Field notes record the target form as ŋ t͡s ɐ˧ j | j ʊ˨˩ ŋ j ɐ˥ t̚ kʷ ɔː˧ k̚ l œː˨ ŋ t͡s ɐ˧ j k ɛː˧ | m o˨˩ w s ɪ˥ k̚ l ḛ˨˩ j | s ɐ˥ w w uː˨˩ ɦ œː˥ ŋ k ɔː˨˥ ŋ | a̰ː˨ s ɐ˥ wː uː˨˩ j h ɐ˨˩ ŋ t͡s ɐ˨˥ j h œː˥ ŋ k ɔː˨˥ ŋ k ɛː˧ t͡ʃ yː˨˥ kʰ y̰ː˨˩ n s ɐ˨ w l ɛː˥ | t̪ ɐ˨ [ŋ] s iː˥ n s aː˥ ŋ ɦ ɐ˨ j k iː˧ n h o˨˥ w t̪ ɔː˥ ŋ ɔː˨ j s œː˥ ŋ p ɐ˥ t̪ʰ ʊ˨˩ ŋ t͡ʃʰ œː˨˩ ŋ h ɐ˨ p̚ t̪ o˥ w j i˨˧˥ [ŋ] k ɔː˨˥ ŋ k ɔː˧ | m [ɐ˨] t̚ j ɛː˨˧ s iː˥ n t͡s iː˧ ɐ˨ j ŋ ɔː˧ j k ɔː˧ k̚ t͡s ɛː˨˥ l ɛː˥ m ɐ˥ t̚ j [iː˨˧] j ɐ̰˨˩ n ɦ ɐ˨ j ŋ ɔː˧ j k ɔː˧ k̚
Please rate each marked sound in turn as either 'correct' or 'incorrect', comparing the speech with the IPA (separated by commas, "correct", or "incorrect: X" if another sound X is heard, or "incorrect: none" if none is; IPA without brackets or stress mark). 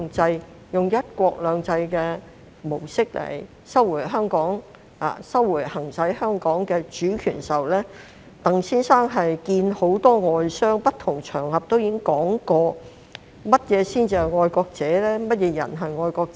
correct, correct, incorrect: ɐ˥, incorrect: ɛː˨˧